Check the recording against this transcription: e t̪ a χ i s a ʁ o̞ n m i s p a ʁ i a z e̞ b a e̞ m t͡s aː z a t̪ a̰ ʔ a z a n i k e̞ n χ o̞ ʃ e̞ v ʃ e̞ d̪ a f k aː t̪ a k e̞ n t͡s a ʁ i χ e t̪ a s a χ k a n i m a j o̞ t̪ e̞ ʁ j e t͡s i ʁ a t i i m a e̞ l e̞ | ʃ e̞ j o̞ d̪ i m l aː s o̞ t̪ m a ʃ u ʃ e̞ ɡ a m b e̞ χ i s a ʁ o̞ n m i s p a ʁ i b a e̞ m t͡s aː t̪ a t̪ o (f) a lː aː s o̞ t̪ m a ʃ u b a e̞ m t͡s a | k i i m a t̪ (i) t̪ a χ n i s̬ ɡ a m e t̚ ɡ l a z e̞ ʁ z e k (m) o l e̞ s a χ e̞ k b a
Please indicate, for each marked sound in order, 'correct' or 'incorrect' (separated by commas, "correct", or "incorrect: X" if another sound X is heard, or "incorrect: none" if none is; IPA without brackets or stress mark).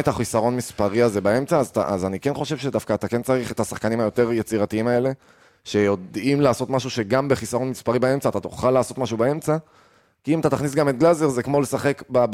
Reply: incorrect: χ, incorrect: a, correct